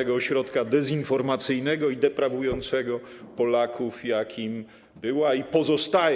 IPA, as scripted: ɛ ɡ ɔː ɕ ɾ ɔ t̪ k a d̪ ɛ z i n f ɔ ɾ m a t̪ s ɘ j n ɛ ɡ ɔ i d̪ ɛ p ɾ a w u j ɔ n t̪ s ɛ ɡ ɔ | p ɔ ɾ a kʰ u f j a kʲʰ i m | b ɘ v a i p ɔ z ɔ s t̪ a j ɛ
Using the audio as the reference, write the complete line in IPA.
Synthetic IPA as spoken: ɛ ɡ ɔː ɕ ɾ ɔ t̪ k a d̪ ɛ z i n f ɔ ɾ m a t̪ s ɘ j n ɛ ɡ ɔ i d̪ ɛ p ɾ a v u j ɔ n t̪ s ɛ ɡ ɔ | p ɔ l a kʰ u f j a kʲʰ i m | b ɘ w a i p ɔ z ɔ s t̪ a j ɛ